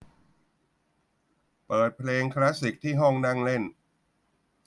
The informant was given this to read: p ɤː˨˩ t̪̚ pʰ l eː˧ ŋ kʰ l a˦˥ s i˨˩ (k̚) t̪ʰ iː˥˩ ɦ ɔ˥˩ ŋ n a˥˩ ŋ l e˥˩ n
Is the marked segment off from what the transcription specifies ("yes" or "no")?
no